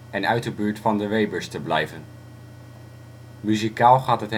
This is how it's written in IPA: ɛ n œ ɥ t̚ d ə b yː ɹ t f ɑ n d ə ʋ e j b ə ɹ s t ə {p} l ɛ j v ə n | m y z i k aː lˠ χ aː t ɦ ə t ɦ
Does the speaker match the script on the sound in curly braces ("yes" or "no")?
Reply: no